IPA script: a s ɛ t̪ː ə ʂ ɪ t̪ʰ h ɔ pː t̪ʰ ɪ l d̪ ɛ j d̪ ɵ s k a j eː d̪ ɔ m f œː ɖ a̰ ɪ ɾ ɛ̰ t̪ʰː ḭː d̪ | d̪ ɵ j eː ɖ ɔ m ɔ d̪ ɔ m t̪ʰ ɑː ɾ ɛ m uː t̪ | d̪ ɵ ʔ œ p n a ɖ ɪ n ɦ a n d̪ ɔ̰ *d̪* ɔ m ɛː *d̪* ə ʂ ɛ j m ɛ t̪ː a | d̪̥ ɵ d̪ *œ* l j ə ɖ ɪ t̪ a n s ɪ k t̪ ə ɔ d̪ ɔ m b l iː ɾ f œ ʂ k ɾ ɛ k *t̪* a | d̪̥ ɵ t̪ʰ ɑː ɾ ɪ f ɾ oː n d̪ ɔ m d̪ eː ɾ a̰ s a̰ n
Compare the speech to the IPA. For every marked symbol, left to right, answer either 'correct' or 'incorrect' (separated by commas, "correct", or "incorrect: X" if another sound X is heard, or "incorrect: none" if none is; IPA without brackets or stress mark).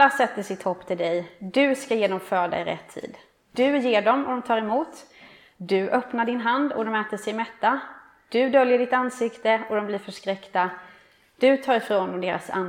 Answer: correct, incorrect: t̪, correct, correct